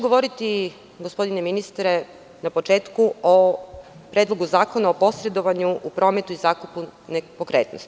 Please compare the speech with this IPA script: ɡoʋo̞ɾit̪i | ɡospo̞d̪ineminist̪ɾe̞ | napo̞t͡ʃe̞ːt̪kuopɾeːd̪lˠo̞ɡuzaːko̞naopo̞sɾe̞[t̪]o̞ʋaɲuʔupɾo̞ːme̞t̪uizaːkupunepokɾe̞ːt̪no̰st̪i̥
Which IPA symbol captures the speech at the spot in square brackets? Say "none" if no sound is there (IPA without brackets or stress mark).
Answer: d̪